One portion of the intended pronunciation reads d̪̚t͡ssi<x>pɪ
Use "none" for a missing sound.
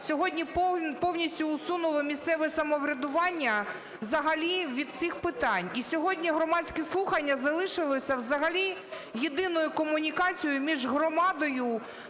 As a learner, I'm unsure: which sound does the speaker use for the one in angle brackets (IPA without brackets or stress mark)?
x